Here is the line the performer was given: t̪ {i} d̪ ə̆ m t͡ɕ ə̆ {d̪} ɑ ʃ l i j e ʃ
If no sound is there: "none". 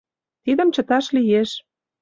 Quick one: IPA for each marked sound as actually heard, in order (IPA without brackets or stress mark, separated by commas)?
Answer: i, t̪